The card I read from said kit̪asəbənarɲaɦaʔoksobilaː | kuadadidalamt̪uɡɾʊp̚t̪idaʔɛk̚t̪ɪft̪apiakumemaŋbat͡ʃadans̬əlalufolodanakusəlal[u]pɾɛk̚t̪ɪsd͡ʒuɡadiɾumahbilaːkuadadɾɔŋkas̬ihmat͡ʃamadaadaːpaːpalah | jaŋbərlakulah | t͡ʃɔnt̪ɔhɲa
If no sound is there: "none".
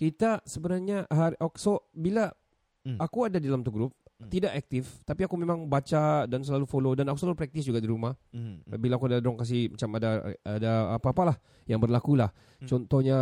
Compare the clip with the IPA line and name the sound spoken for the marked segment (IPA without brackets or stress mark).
u